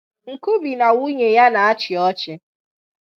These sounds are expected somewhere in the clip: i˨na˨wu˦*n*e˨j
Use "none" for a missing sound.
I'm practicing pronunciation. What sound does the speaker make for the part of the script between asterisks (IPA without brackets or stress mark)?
ɲ